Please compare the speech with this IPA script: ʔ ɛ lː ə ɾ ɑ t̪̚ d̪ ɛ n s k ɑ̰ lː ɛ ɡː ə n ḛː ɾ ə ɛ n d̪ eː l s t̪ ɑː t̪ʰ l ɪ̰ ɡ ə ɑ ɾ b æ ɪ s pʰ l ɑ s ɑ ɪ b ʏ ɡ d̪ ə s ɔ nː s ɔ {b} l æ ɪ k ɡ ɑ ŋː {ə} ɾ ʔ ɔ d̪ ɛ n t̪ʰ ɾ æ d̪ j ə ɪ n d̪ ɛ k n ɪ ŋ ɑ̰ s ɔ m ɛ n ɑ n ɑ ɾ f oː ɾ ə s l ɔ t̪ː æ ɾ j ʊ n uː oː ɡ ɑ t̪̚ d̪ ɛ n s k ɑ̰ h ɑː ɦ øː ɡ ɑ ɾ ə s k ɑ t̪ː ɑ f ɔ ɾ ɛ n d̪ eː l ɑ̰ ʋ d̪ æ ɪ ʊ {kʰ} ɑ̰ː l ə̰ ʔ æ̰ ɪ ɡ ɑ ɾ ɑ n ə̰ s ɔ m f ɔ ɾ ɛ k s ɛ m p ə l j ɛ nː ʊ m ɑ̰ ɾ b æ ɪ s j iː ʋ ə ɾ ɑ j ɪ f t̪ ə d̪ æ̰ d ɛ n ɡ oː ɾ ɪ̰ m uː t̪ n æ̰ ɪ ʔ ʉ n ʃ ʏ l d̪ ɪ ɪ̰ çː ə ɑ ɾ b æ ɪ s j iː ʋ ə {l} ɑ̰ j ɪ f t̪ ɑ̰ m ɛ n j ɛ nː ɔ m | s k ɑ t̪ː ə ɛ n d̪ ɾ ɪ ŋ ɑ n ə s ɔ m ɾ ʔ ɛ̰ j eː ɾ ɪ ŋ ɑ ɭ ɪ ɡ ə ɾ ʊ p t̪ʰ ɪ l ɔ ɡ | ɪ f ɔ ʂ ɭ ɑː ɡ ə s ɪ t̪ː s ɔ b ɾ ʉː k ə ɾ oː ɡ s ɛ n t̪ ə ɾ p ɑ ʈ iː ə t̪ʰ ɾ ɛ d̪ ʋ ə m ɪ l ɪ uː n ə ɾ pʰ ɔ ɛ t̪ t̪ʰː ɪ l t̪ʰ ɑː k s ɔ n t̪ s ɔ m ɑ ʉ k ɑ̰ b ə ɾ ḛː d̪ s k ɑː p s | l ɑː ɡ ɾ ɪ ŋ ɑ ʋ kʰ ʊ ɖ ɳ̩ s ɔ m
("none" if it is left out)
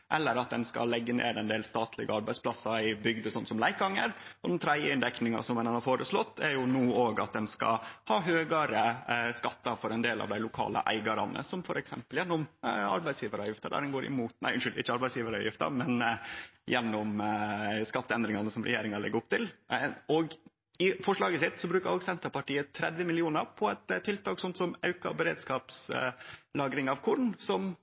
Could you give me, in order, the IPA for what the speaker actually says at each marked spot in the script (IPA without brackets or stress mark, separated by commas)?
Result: m, ə, kʰ, ɾ